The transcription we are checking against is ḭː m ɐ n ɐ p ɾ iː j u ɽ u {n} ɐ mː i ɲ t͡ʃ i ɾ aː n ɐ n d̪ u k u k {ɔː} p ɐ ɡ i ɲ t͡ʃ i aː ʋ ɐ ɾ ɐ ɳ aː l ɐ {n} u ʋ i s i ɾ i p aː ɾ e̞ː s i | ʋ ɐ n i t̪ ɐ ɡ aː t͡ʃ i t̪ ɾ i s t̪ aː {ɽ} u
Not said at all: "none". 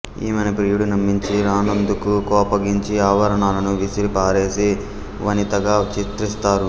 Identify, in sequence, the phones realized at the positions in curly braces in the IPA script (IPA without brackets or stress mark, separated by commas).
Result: n, ɔː, n, ɾ